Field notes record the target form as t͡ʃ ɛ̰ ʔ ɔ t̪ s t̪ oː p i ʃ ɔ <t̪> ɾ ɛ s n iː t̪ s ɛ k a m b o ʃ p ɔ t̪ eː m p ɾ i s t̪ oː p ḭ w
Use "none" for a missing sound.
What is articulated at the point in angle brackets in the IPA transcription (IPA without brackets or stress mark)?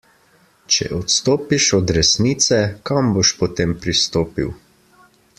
d̪